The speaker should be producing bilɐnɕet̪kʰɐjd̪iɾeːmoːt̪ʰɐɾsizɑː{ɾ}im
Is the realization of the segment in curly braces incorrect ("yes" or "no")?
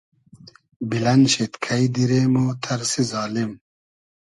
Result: yes